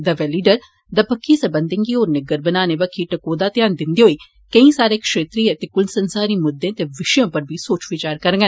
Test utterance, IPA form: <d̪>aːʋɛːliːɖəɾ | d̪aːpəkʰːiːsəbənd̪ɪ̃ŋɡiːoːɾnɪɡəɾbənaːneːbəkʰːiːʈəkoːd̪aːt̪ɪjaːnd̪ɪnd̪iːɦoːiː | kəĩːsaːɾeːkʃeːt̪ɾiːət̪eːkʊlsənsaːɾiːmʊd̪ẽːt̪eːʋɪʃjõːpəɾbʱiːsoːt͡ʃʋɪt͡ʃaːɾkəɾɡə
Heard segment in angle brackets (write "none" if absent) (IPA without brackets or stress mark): d̪